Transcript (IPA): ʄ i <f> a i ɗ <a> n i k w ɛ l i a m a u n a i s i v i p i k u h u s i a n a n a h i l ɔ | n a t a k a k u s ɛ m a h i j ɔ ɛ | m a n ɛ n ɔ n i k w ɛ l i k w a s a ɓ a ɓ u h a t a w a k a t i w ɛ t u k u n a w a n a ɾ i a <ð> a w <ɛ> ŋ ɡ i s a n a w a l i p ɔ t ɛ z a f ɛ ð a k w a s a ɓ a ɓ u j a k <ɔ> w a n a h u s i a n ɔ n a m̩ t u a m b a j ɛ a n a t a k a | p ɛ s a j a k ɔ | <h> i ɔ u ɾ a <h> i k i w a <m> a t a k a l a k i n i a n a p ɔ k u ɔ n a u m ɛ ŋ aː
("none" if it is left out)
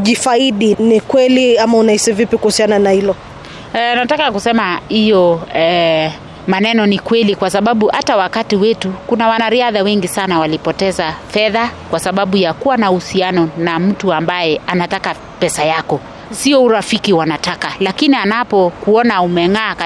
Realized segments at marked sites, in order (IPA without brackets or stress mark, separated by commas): f, i, ð, ɛ, u, s, f, n